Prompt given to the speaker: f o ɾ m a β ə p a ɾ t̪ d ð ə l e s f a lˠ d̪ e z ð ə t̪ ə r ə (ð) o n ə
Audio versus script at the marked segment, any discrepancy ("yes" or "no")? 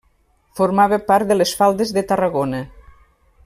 yes